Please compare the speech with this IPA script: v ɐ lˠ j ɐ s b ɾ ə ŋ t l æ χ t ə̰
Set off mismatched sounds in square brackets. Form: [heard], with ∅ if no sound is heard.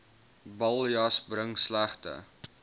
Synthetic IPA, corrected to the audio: [b] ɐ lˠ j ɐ s b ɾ ə ŋ [s] l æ χ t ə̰